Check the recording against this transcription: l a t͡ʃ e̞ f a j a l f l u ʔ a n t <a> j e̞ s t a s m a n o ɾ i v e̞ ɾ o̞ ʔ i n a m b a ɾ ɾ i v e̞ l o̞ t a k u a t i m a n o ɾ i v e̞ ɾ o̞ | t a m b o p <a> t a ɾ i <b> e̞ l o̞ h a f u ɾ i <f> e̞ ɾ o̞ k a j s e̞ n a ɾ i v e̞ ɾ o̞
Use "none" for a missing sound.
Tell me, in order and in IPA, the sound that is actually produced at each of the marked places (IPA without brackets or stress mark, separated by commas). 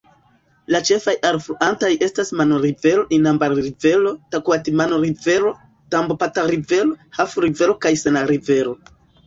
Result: a, a, v, v